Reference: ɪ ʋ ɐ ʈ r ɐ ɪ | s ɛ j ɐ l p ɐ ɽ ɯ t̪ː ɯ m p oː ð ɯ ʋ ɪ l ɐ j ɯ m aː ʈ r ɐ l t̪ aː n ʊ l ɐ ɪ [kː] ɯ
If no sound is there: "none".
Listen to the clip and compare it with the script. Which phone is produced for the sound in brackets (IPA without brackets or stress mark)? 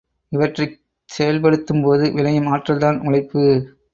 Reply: pː